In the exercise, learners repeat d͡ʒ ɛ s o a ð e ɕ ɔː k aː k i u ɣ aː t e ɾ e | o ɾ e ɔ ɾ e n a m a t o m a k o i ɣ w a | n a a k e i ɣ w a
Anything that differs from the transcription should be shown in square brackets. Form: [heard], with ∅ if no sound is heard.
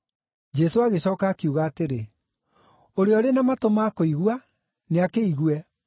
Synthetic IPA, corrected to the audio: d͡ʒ ɛ s o a [ɣ] e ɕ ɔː k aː k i u ɣ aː t e ɾ e | o ɾ e ɔ ɾ e n a m a t o m a k o i ɣ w a | n [e] a k e i ɣ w [ɛ]